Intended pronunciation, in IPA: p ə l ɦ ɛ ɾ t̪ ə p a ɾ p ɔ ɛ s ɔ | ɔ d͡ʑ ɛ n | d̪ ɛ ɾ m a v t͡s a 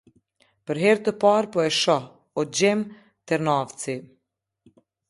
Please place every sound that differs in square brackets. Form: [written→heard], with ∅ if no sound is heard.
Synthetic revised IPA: p ə [l→ɾ] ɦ ɛ ɾ t̪ ə p a ɾ p ɔ ɛ [s→ʃ] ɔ | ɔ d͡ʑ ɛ [n→m] | [d̪→t̪] ɛ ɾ [m→n] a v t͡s [a→i]